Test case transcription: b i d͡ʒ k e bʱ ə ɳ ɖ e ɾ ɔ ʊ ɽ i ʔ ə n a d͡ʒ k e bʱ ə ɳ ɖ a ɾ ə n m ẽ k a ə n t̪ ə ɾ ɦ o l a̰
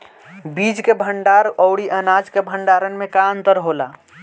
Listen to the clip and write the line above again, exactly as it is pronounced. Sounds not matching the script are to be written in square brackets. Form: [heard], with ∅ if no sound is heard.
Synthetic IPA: b i d͡ʒ k e bʱ ə ɳ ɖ [a] ɾ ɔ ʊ ɽ i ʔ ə n a d͡ʒ k e bʱ ə ɳ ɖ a ɾ ə n m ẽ k a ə n t̪ ə ɾ ɦ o l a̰